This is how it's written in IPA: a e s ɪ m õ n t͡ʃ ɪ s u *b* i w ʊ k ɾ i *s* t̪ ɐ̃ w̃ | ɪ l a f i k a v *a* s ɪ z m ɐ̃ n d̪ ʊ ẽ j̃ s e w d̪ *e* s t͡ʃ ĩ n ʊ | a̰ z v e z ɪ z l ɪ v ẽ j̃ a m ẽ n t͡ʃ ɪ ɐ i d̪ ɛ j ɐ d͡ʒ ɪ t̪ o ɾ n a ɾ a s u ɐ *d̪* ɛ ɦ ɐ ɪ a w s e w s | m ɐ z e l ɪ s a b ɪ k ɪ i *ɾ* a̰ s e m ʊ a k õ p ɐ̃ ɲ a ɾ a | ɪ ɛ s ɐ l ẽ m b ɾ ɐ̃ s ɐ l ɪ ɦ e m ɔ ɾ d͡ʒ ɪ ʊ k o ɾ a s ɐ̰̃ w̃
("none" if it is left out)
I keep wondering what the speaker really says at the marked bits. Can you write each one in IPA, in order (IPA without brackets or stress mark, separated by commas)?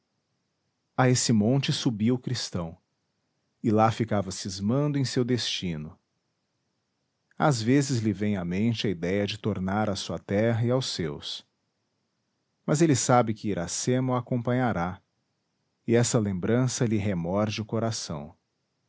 b, s, ɐ, e, t̪, ɾ